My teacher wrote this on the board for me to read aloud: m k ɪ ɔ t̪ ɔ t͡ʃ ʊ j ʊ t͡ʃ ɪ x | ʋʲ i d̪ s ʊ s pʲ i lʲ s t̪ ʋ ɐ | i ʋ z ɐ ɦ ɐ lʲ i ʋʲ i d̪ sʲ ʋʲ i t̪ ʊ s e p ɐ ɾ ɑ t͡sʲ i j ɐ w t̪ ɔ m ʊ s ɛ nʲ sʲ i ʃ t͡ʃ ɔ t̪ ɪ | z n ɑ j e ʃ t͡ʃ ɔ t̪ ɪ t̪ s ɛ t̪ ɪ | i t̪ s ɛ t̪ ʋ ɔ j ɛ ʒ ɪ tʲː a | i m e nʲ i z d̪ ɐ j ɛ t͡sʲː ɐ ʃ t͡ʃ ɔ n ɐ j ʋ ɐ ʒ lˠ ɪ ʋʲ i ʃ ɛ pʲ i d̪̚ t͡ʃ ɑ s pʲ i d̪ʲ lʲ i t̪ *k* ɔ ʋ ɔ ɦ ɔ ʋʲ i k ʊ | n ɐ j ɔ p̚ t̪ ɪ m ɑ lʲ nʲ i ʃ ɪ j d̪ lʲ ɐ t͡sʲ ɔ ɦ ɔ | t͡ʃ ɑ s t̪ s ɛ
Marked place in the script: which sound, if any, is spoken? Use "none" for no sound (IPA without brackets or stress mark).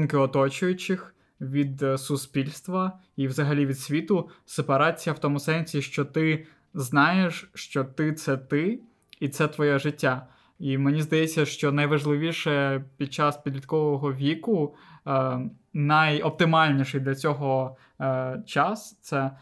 k